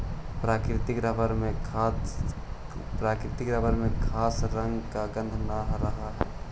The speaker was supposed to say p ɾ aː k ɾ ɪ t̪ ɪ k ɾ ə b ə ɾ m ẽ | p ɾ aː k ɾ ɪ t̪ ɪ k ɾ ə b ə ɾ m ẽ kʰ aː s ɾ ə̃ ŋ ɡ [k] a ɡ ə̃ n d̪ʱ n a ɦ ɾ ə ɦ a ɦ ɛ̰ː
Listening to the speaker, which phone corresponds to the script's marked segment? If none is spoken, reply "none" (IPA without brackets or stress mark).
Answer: k